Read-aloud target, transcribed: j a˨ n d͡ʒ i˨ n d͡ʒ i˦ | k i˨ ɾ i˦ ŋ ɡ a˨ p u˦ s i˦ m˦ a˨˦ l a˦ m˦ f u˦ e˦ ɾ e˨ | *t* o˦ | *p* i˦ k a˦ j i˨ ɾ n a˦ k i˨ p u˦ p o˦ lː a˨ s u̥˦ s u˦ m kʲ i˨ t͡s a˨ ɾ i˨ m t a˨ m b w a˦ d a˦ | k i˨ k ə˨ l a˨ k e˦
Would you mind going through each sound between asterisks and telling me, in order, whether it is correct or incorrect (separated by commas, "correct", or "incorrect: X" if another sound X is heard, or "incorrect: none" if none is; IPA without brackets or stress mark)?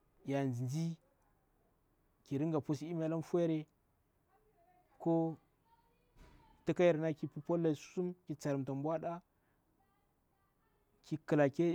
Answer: incorrect: k, incorrect: t